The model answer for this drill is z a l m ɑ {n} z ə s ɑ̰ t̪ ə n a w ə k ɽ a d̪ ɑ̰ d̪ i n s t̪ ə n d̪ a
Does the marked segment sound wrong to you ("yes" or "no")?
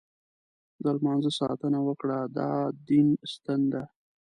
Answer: no